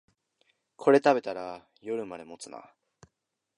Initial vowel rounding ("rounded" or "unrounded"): rounded